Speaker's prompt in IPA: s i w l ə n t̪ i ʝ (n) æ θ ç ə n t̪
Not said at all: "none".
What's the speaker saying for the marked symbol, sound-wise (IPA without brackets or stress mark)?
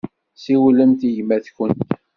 m